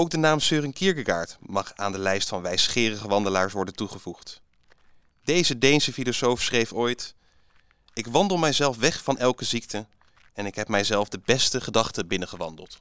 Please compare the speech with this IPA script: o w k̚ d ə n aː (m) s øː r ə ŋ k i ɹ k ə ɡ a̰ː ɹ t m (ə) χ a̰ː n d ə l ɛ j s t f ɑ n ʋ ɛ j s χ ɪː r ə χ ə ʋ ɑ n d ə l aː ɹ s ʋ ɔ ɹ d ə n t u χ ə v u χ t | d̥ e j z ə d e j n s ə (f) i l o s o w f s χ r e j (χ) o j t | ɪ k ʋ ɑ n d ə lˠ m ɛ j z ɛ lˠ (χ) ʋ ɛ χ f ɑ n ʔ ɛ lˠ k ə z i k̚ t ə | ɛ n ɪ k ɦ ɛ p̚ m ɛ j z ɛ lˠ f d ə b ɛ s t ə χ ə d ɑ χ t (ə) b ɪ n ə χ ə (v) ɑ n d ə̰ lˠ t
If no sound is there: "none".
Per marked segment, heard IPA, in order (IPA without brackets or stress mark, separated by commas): m, ɑ, f, f, f, ə, ʋ